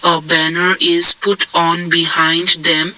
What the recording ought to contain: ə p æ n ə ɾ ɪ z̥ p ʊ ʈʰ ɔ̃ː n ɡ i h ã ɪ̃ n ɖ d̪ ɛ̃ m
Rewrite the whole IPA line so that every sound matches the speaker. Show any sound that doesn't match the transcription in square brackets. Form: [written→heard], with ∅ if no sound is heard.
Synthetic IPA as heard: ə [p→b] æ n ə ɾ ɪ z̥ p ʊ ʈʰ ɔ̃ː n [ɡ→b] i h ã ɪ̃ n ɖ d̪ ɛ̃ m